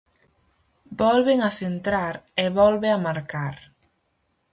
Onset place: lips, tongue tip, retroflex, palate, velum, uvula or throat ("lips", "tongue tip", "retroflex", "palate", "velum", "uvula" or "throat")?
lips